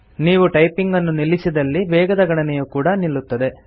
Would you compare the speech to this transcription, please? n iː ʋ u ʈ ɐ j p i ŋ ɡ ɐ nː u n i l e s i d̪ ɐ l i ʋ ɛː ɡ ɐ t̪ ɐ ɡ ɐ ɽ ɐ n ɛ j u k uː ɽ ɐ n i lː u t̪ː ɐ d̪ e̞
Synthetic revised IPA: n iː ʋ u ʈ ɐ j p i ŋ ɡ ɐ nː u n i l i s i d̪ ɐ lː i ʋ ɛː ɡ ɐ d̪ ɐ ɡ ɐ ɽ ɐ n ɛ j u k uː ɽ ɐ n i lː u t̪ː ɐ d̪ e̞